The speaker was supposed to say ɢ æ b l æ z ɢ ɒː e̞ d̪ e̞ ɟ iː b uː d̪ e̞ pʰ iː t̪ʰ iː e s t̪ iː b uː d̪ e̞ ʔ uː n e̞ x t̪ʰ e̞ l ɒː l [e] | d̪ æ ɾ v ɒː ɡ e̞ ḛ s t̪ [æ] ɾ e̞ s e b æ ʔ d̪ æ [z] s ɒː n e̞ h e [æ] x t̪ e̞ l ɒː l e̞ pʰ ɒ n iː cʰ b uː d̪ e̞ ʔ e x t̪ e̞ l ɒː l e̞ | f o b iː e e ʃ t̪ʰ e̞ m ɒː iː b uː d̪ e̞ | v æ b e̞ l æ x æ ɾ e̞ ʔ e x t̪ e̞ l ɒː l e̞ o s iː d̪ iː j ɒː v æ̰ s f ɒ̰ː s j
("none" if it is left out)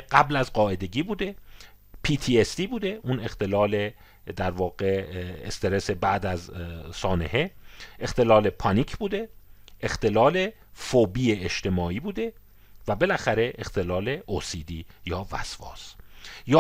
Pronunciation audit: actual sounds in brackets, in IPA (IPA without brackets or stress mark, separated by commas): e, e, z, e